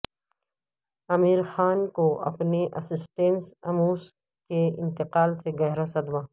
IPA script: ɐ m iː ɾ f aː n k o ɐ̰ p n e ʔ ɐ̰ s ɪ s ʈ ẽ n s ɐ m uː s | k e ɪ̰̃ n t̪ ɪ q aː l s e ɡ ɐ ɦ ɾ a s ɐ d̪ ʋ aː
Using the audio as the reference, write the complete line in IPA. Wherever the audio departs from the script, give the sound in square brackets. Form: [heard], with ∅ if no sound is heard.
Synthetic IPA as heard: ɐ m iː ɾ [x] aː n k o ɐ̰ p n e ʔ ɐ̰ s ɪ s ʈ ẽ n s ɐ m uː s | k e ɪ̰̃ n t̪ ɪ q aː l s e ɡ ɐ ɦ ɾ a s ɐ d̪ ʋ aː